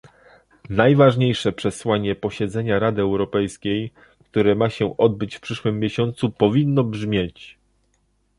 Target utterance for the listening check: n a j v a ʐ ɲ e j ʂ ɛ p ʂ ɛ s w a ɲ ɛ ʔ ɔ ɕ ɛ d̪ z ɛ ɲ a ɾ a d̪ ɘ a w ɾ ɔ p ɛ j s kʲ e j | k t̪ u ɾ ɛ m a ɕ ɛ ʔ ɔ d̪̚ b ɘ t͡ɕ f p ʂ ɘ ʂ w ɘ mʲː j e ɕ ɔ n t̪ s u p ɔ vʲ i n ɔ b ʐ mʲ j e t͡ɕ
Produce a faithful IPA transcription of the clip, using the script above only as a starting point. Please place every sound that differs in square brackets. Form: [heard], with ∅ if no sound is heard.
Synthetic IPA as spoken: n a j v a ʐ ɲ e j ʂ ɛ p ʂ ɛ s w a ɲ ɛ [p] ɔ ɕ ɛ d̪ z ɛ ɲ a ɾ a d̪ ɘ [ɛ] w ɾ ɔ p ɛ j s kʲ e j | k t̪ u ɾ ɛ m a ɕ ɛ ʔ ɔ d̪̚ b ɘ t͡ɕ f p ʂ ɘ ʂ w ɘ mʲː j e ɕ ɔ n t̪ s u p ɔ vʲ i [nː] ɔ b ʐ mʲ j e t͡ɕ